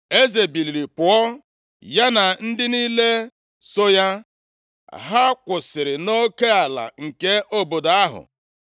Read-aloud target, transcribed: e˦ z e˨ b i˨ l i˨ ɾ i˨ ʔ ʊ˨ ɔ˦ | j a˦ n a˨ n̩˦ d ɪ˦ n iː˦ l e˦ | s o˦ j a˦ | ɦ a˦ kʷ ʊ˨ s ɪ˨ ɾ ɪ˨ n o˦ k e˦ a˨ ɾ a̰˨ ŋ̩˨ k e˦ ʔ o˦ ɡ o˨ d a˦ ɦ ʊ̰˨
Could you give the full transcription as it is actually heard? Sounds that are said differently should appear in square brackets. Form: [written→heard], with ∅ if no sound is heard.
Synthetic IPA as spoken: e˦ z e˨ b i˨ l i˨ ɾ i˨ [ʔ→p] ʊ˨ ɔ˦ | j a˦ n a˨ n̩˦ d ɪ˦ n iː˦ l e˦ | s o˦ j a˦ | ɦ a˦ kʷ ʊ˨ s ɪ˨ ɾ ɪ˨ n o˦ k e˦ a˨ [ɾ→l] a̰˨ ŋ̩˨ k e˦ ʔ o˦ [ɡ→b] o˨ d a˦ ɦ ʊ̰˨